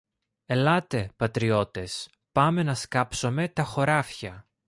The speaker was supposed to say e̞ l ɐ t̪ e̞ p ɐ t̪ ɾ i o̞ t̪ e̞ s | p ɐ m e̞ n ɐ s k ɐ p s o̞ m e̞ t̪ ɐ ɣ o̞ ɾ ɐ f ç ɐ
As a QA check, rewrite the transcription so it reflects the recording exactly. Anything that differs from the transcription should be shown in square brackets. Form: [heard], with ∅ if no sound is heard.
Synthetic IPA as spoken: e̞ l ɐ t̪ e̞ p ɐ t̪ ɾ i o̞ t̪ e̞ s | p ɐ m e̞ n ɐ s k ɐ p s o̞ m e̞ t̪ ɐ [x] o̞ ɾ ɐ f ç ɐ